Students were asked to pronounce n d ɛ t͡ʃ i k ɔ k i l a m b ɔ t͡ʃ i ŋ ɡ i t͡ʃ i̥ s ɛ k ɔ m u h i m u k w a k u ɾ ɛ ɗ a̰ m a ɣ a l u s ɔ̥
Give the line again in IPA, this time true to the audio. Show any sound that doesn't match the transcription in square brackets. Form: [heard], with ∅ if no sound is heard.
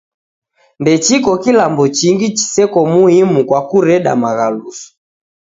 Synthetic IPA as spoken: n d ɛ t͡ʃ i k ɔ k i l a m b ɔ t͡ʃ i ŋ ɡ i t͡ʃ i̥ s ɛ k ɔ m u h i m u k w a k u ɾ ɛ ɗ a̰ m a ɣ a l u s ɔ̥